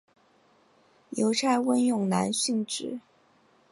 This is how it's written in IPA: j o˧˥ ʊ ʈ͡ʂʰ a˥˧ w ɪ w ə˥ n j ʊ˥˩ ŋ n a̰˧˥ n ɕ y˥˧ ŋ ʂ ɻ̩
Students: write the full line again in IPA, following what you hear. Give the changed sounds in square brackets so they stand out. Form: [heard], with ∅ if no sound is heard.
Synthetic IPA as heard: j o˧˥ ʊ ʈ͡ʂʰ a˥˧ [∅] ɪ w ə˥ n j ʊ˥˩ ŋ n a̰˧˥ n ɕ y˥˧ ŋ [ʈ͡ʂ] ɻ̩